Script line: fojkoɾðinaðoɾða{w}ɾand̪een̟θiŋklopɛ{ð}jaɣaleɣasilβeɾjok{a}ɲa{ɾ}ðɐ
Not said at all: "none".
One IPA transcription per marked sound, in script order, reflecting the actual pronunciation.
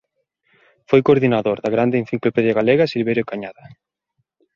ɣ, ð, a, none

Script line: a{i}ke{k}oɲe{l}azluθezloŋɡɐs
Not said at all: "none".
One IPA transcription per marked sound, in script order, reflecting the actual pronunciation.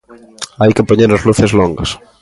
j, p, ɾ

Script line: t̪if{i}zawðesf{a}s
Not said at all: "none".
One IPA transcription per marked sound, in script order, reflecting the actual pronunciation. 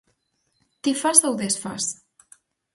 a, a

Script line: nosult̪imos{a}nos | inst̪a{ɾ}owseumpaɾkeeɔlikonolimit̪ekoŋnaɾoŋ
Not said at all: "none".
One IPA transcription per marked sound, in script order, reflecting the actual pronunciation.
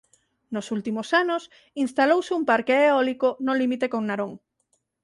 a, l

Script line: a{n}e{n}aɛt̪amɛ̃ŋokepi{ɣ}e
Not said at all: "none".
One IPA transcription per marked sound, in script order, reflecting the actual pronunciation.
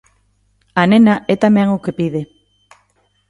n, n, ð

